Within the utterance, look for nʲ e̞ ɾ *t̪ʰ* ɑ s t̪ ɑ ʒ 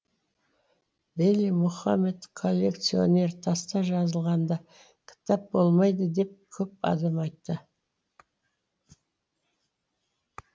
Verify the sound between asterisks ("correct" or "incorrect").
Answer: correct